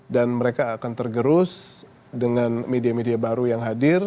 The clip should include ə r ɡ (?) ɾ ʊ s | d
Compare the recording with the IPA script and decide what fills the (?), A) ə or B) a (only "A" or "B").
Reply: A